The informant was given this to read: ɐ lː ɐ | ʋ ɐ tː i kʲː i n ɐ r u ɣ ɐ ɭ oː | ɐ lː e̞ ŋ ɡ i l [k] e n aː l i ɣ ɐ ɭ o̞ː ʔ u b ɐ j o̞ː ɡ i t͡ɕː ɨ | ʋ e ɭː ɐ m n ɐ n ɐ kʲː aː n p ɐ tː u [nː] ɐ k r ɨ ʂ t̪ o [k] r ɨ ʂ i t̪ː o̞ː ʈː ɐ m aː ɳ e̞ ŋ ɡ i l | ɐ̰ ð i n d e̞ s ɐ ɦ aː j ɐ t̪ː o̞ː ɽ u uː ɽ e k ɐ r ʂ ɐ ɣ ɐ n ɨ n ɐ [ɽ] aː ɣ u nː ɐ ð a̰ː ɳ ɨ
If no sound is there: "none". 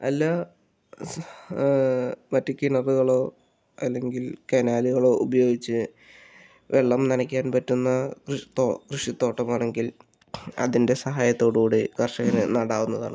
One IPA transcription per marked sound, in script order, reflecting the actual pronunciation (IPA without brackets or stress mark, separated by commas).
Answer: k, nː, k, ɽ